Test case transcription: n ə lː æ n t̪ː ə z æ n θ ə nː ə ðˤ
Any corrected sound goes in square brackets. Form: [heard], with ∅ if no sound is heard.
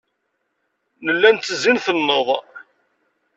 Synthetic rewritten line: n ə lː æ n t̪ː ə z [i] n θ ə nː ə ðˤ